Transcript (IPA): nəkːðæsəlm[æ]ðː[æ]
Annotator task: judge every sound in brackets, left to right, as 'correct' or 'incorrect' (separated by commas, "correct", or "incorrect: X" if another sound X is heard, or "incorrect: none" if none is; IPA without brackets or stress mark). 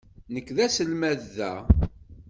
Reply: correct, correct